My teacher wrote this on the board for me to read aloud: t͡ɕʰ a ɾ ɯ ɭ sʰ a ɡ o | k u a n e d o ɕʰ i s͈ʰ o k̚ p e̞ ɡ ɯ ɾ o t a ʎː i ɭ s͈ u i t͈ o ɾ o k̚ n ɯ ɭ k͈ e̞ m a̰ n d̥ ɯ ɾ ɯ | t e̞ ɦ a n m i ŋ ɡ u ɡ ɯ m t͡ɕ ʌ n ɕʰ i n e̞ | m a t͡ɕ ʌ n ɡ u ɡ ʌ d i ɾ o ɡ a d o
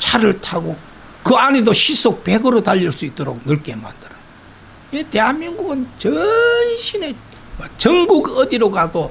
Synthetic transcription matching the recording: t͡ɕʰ a ɾ ɯ ɭ tʰ a ɡ o | k ɯ a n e d o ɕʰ i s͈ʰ o k̚ p e̞ ɡ ɯ ɾ o t a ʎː i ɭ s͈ u i t͈ o ɾ o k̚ n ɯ ɭ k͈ e̞ m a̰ n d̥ ɯ ɾ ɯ | t e̞ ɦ a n m i ŋ ɡ u ɡ ɯ n t͡ɕ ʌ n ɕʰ i n e̞ | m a t͡ɕ ʌ ŋ ɡ u ɡ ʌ d i ɾ o ɡ a d o